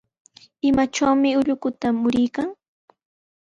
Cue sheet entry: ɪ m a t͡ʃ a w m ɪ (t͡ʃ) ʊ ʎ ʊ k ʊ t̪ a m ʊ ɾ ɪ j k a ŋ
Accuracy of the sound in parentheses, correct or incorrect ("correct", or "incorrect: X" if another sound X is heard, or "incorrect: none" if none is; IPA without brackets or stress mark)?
incorrect: none